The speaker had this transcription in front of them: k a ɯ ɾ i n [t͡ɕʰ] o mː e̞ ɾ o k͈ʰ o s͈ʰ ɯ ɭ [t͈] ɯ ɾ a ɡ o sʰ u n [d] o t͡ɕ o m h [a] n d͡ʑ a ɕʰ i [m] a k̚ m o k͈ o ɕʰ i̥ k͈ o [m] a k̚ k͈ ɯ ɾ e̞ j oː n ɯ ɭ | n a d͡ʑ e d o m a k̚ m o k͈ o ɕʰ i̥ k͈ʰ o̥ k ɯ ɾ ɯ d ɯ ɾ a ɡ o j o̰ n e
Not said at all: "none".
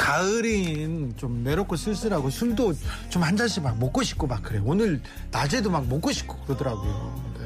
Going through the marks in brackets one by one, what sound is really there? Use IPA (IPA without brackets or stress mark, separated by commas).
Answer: t͡ɕ, s͈, d, a, m, m